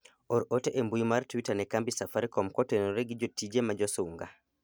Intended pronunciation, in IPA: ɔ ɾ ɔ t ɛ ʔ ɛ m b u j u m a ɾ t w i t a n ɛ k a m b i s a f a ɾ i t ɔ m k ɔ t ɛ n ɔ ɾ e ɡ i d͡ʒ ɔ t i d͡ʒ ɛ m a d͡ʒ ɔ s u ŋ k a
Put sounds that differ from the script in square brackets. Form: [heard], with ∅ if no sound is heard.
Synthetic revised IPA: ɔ ɾ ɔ t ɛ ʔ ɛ m b u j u m a ɾ t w i t a n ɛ k a m b i s a f a ɾ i [k] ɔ m k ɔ t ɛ n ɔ ɾ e ɡ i d͡ʒ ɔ t i d͡ʒ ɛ m a d͡ʒ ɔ s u ŋ [ɡ] a